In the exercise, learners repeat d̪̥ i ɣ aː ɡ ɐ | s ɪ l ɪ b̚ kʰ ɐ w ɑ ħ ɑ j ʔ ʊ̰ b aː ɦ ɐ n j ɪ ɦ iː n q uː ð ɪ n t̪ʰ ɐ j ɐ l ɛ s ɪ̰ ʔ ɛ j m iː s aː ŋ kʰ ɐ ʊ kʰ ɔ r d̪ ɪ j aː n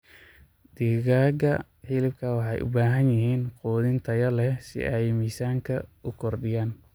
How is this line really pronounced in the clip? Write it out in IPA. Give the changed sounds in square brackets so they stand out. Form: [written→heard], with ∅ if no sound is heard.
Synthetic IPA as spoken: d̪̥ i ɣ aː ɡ ɐ | [s→ħ] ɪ l ɪ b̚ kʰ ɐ w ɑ ħ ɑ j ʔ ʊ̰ b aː ɦ ɐ n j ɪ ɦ iː n q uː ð ɪ n t̪ʰ ɐ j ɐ l ɛ s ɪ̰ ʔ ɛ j m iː s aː ŋ kʰ ɐ ʊ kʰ ɔ r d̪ ɪ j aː n